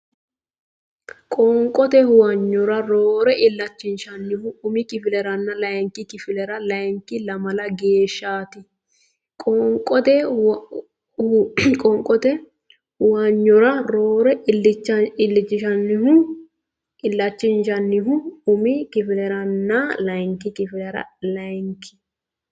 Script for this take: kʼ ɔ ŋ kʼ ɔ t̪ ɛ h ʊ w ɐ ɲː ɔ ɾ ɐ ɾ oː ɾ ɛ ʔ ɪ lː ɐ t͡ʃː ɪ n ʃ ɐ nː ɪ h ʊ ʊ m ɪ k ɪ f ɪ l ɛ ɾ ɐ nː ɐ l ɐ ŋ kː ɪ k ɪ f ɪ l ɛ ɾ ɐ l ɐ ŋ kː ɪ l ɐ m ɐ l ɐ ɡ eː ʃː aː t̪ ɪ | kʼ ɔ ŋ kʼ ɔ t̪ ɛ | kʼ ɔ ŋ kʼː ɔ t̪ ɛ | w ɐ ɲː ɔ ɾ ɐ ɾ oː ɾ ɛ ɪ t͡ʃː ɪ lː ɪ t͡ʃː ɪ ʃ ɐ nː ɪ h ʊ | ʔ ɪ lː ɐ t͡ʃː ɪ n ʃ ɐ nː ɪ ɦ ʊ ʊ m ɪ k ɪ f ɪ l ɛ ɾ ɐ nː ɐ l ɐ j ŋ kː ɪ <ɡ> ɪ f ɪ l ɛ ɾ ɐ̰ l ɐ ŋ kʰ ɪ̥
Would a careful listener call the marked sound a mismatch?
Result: yes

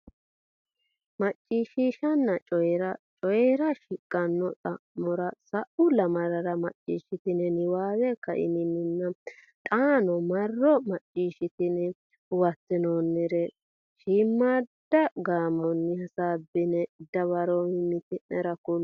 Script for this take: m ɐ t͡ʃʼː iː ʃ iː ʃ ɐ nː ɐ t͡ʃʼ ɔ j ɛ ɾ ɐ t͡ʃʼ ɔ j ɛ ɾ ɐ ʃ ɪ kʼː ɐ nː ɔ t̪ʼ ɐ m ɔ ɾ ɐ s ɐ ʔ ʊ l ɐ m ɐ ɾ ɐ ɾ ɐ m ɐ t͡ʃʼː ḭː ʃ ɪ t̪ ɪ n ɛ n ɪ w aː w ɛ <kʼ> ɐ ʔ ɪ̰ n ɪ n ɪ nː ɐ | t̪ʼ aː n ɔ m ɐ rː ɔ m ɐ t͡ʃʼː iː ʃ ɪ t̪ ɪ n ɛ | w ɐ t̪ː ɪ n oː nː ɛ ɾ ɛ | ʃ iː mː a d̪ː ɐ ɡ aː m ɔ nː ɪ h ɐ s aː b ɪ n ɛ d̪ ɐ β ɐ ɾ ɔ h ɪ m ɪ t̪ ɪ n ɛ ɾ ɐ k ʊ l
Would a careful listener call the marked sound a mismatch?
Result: yes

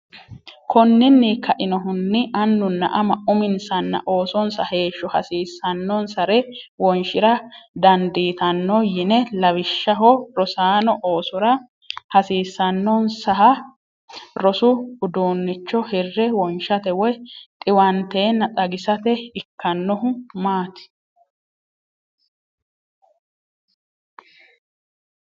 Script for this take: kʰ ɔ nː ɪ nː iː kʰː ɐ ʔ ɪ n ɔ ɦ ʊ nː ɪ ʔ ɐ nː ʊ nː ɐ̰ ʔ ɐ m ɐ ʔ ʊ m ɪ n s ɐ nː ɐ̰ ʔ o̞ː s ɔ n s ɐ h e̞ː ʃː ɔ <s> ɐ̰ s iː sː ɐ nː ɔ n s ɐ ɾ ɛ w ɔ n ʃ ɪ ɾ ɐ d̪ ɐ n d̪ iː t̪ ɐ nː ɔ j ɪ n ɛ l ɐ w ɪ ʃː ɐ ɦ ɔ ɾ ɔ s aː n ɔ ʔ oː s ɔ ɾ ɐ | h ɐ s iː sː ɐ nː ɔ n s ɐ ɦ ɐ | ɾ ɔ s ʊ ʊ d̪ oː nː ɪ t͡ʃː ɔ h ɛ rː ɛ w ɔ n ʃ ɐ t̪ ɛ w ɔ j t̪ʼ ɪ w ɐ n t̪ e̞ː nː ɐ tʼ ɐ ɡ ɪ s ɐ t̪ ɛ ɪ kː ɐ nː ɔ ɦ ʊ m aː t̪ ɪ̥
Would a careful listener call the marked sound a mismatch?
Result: yes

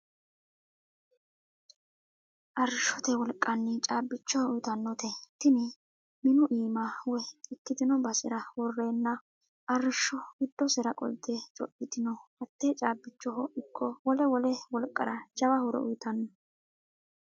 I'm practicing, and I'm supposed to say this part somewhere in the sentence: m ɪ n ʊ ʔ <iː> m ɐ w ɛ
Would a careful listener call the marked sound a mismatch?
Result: no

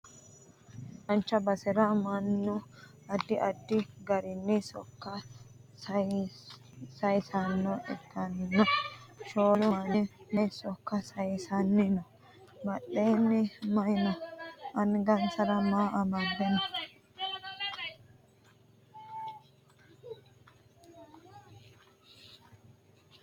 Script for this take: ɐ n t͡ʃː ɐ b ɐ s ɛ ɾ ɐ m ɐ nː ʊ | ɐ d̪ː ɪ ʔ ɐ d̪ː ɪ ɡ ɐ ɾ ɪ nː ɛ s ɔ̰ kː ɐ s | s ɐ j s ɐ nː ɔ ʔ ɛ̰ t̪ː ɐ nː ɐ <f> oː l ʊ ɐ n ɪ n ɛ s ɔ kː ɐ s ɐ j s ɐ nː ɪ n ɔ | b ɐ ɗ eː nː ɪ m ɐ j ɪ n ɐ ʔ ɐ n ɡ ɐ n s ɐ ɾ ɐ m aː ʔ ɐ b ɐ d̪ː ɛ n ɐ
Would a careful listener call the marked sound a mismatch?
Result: yes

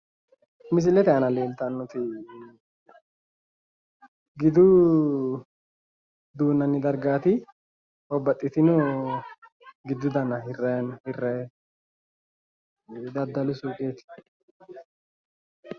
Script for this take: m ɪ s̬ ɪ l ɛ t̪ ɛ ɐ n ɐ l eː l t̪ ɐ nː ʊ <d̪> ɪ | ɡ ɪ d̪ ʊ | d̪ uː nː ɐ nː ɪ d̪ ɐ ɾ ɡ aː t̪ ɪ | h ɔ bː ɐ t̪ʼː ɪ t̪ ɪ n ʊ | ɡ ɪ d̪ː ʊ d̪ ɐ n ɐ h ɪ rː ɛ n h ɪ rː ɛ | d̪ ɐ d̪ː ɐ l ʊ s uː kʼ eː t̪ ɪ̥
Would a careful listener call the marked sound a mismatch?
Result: yes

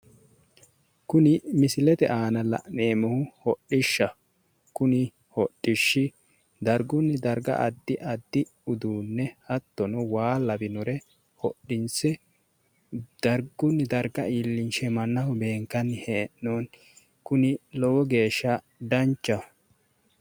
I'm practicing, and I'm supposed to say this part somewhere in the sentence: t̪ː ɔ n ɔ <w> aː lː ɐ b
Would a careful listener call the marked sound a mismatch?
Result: no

